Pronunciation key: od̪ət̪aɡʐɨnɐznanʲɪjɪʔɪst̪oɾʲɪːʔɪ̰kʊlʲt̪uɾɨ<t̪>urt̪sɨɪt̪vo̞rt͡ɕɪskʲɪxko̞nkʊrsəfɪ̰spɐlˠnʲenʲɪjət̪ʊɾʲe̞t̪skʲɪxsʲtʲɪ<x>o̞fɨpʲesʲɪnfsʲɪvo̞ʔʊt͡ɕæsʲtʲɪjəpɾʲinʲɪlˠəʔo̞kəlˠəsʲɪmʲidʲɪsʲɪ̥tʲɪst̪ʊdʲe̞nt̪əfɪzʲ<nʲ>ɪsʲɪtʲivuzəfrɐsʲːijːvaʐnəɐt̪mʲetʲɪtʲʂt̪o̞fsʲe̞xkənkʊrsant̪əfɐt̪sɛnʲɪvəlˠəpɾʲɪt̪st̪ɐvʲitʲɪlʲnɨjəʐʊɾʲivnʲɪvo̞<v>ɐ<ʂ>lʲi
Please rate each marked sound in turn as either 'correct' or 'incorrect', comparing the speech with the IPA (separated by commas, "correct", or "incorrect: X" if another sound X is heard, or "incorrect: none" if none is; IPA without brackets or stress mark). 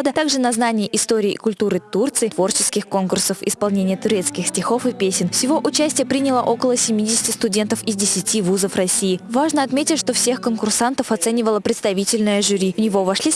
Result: correct, correct, incorrect: dʲ, correct, correct